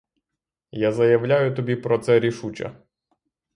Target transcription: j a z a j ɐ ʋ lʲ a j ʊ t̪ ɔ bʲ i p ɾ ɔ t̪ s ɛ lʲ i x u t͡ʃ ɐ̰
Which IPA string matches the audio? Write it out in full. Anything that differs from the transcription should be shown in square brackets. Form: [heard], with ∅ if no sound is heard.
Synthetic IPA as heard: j a z [ɐ] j ɐ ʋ lʲ a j ʊ t̪ ɔ bʲ i p ɾ ɔ t̪ s ɛ [ɾʲ] i [ʃ] u t͡ʃ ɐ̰